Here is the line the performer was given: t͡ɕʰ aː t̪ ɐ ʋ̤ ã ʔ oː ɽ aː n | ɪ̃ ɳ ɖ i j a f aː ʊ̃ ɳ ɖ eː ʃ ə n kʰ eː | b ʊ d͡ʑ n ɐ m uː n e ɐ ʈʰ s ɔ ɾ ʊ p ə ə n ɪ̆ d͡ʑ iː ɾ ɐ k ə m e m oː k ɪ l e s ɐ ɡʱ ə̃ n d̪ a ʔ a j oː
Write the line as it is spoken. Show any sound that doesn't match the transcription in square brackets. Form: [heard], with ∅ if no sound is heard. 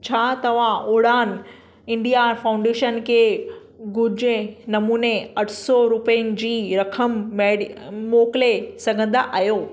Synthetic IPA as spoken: t͡ɕʰ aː t̪ ɐ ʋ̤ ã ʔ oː ɽ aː n | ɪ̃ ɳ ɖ i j a f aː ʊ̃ ɳ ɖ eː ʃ ə n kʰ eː | [ɡ] ʊ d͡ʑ n ɐ m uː n e ɐ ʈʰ s ɔ ɾ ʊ p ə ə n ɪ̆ d͡ʑ iː ɾ ɐ [kʰ] ə m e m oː k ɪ l e s ɐ ɡʱ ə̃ n d̪ a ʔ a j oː